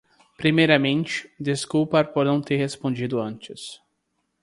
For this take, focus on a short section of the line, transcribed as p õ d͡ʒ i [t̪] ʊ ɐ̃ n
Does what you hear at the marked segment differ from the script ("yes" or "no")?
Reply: yes